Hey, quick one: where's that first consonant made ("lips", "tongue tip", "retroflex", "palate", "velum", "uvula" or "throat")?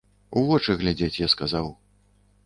lips